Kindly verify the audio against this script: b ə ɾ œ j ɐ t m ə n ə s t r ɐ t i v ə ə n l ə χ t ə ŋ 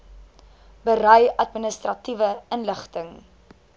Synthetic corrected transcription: b ə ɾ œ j ɐ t m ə n ə s t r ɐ t i v ə ə n l ə χ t ə ŋ